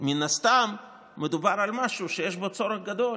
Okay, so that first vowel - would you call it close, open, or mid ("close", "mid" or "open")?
close